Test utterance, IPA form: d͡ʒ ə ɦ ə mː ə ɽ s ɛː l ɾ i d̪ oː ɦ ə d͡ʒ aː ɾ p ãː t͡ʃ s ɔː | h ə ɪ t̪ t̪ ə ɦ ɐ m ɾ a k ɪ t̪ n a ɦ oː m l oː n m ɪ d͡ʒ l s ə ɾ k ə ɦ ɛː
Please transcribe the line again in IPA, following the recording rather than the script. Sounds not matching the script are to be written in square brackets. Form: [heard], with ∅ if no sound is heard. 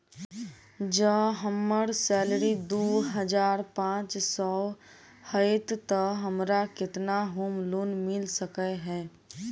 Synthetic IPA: d͡ʒ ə ɦ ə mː ə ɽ s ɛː l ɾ i d̪ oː ɦ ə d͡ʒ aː ɾ p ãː t͡ʃ s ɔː | h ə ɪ t̪ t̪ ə ɦ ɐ m ɾ a k ɪ t̪ n a ɦ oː m l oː n m ɪ [∅] l s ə [∅] k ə ɦ ɛː